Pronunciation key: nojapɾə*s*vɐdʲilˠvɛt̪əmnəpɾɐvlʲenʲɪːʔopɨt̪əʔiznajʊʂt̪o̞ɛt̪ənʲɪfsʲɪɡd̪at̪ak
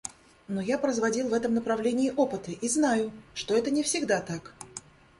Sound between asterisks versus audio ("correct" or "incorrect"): incorrect